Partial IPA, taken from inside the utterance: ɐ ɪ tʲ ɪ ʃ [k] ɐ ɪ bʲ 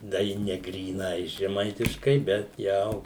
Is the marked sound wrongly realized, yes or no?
no